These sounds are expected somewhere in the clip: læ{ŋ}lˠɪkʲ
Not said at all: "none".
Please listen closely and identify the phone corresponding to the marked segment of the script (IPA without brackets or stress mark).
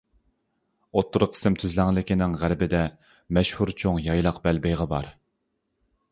ŋ